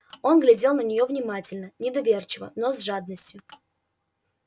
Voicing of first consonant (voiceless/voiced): voiced